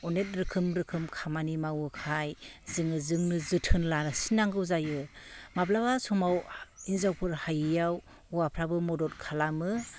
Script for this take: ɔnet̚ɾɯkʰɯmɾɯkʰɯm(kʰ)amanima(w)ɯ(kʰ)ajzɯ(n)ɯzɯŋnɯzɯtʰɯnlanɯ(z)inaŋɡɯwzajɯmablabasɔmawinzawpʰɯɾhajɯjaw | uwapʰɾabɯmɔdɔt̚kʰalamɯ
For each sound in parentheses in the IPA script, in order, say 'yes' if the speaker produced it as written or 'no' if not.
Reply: yes, yes, yes, no, no

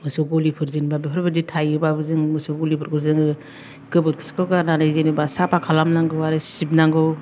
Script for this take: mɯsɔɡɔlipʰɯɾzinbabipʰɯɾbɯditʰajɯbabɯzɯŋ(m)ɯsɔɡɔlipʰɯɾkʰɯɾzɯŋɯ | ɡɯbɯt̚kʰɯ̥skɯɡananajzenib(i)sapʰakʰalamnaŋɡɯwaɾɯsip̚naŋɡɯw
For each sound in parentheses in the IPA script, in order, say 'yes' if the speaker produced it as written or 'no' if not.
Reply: yes, no

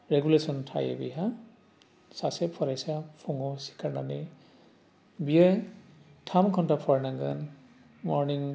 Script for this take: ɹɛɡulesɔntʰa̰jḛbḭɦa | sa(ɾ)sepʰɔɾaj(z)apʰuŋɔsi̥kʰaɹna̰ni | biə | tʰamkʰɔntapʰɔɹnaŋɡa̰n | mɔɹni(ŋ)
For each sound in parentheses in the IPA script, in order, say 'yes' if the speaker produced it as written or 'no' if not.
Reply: no, no, yes

